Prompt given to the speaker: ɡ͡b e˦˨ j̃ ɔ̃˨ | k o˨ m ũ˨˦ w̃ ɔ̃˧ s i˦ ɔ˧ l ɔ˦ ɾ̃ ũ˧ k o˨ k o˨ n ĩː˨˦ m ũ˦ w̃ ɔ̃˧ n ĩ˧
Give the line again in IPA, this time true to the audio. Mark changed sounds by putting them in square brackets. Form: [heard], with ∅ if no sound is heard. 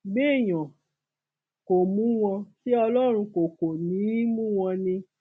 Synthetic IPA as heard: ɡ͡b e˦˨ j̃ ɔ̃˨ | k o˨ m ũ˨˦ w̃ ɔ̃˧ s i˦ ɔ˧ l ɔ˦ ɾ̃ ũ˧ k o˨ k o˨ n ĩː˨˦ m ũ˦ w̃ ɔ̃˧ n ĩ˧